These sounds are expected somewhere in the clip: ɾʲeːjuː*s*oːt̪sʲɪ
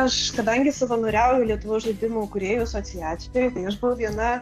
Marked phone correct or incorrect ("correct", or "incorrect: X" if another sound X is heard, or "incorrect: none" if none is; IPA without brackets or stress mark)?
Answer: correct